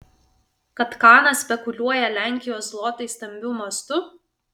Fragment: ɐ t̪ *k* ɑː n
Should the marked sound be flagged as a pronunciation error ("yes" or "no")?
no